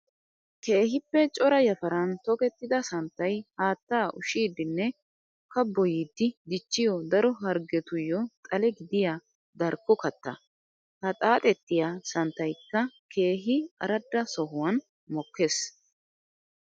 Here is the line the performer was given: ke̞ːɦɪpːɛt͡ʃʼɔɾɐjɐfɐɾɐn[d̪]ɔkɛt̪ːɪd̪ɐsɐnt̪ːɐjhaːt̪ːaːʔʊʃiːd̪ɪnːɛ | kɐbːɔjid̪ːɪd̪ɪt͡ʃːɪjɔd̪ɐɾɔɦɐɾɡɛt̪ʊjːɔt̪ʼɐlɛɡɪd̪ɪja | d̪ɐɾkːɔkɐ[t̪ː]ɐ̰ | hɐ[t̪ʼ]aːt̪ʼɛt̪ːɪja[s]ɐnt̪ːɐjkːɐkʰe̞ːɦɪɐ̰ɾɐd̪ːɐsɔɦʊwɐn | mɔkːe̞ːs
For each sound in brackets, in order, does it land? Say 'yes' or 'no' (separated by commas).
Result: no, yes, yes, yes